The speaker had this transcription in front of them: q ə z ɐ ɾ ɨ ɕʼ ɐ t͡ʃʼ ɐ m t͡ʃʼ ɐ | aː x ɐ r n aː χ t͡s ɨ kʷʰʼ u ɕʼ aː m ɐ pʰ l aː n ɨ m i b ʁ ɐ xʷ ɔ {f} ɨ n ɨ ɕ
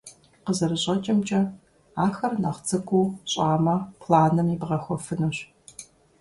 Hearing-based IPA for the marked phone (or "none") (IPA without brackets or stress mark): f